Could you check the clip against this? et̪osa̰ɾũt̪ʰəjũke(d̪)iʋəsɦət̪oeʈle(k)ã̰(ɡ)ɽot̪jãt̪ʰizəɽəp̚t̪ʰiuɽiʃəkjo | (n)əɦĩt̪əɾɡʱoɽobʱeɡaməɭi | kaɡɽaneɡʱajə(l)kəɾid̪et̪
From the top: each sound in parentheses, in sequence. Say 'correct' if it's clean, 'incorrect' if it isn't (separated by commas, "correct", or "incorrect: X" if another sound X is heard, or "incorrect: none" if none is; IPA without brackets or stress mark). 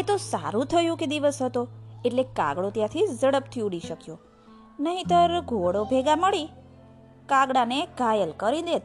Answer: correct, correct, correct, correct, correct